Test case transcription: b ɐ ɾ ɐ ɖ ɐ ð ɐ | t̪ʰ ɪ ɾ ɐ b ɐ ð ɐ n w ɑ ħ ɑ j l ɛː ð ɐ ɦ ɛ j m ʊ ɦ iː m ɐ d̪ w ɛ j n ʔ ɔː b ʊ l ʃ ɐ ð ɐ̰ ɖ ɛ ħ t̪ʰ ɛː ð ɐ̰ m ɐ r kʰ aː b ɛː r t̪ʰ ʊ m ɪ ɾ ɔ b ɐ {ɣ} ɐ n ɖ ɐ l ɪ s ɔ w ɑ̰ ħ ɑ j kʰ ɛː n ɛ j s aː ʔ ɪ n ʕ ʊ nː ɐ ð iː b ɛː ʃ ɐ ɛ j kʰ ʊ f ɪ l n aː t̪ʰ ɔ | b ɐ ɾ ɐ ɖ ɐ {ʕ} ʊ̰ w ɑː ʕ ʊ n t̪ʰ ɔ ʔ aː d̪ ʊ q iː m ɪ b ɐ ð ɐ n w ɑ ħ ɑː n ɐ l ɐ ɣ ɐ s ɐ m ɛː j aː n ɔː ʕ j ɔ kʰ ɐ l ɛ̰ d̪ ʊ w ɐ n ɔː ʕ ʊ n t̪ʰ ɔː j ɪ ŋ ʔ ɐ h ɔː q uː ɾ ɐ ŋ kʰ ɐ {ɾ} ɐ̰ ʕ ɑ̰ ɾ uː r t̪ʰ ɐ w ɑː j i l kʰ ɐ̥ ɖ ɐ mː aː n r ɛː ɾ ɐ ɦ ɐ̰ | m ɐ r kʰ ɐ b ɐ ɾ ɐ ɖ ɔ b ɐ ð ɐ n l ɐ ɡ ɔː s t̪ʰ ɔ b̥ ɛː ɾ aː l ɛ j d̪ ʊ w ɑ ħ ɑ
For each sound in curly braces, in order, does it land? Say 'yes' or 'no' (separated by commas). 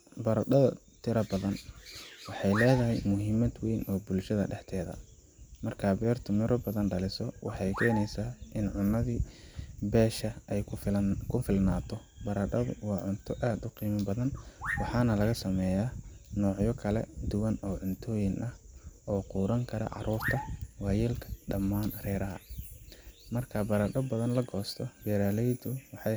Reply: no, no, yes